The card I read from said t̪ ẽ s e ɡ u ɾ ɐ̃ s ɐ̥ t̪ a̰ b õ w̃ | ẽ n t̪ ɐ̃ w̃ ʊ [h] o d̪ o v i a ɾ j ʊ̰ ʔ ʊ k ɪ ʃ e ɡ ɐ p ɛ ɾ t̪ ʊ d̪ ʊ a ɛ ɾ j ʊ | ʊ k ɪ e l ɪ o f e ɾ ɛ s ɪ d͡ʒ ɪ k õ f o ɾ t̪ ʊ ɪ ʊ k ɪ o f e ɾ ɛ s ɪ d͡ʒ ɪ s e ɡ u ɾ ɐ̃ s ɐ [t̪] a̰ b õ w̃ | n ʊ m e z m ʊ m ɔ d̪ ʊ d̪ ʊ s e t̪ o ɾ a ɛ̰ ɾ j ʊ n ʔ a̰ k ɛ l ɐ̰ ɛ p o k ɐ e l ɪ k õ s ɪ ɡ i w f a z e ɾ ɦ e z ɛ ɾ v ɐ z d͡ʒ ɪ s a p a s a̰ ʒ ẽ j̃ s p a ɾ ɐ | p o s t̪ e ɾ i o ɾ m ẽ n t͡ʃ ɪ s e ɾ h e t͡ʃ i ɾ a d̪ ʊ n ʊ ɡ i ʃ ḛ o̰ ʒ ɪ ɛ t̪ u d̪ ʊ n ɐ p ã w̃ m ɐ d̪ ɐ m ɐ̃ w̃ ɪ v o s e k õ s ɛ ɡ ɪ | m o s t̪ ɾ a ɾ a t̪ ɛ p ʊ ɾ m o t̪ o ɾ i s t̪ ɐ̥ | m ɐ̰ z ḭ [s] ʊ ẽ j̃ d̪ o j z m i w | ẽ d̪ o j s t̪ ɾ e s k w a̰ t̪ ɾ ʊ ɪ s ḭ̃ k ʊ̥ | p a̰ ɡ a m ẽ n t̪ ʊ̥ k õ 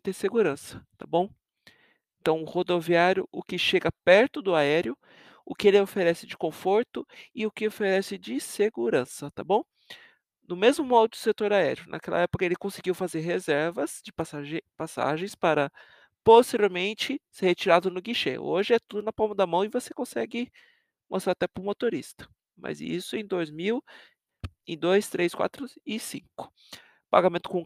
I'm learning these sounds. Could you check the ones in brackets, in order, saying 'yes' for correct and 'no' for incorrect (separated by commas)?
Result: yes, yes, yes